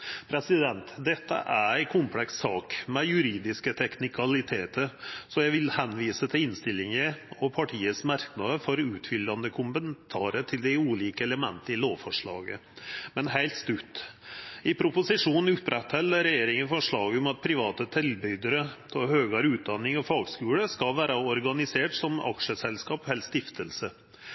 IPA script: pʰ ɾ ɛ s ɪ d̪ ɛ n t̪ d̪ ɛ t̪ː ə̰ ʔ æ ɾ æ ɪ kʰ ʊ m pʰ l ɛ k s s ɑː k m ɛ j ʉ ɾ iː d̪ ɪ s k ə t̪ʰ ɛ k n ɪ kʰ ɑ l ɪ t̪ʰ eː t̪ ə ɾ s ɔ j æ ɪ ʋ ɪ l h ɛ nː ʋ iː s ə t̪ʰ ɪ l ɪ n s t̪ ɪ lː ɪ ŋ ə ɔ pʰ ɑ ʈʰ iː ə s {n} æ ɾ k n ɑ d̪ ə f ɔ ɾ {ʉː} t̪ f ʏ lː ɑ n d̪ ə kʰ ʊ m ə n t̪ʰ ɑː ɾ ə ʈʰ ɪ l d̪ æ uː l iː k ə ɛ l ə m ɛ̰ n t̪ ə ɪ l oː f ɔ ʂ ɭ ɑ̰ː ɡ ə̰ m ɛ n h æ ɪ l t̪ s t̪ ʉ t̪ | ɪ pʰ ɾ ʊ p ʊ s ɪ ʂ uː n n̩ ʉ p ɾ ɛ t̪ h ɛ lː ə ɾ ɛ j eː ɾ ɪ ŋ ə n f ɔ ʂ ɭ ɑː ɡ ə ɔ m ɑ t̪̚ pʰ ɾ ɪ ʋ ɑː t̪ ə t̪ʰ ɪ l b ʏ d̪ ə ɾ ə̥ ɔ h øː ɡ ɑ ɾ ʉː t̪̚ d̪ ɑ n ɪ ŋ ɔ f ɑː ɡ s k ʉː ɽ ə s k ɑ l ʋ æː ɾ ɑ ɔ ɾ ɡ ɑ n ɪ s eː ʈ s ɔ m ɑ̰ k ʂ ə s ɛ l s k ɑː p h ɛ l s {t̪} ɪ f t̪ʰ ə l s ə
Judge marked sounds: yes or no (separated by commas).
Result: no, yes, yes